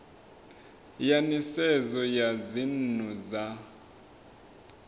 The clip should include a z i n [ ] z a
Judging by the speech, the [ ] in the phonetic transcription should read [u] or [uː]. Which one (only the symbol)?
u